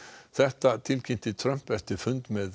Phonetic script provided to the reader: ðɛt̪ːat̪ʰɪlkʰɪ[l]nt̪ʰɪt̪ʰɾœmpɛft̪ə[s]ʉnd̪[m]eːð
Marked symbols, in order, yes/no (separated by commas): no, no, yes